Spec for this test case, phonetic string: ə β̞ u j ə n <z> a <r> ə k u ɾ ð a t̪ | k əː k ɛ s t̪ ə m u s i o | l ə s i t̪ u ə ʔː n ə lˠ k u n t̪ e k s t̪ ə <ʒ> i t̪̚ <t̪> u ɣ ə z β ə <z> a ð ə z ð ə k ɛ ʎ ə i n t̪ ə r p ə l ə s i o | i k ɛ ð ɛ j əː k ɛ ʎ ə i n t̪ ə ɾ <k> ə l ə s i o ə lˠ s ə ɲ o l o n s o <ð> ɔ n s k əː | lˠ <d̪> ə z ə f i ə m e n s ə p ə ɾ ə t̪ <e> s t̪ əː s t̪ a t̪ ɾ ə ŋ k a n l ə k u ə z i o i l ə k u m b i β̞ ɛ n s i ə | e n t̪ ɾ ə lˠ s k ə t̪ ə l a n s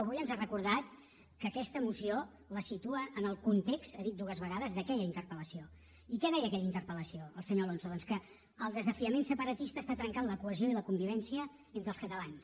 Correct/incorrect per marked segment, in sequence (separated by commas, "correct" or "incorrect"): correct, correct, incorrect, incorrect, incorrect, incorrect, correct, correct, incorrect